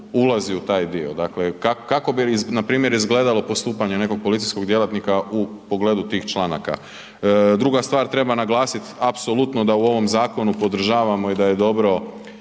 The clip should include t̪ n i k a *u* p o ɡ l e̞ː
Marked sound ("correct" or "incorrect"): correct